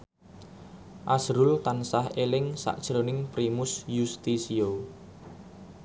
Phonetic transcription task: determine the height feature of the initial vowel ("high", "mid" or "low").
low